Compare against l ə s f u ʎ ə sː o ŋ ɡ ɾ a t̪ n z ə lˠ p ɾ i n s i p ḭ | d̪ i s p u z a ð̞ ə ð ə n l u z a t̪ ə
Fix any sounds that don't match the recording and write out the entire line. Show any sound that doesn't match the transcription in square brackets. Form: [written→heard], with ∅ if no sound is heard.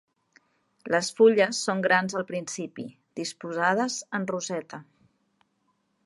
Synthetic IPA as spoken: l ə s f u ʎ ə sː o ŋ ɡ ɾ a [t̪→∅] n z ə lˠ p ɾ i n s i p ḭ | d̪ i s p u z a ð̞ ə [ð→z] ə n [l→r] u z [a→ɛ] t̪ ə